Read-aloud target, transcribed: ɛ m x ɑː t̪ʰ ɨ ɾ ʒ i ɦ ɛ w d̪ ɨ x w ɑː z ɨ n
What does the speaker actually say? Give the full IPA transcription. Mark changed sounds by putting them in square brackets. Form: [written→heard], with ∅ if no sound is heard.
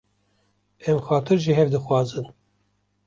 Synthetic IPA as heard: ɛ m x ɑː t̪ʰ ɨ ɾ ʒ i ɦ ɛ [w→v] d̪ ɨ x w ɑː z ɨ n